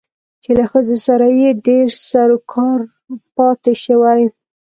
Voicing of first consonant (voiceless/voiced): voiceless